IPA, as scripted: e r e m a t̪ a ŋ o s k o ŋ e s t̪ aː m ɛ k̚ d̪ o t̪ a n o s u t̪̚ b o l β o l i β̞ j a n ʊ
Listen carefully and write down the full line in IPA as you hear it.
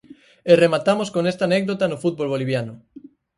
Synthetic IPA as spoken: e r e m a t̪ a m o s k o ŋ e s t̪ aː n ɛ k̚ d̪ o t̪ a n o f u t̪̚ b o l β o l i β̞ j a n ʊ